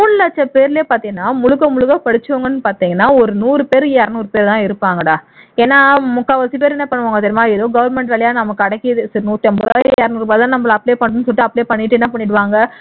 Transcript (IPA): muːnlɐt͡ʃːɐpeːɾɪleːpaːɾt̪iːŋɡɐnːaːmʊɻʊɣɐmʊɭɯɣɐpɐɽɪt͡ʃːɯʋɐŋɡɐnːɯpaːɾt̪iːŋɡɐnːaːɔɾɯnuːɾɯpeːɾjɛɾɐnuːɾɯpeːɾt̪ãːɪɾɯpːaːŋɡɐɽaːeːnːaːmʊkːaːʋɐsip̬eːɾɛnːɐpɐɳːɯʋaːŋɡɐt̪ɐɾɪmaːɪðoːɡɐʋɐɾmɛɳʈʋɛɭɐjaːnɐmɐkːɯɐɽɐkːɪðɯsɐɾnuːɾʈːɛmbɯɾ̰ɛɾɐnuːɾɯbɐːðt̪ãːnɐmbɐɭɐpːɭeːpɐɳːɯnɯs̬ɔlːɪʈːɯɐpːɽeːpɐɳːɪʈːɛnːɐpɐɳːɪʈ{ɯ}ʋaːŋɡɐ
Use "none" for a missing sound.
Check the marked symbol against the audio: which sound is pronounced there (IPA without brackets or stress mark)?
ɯ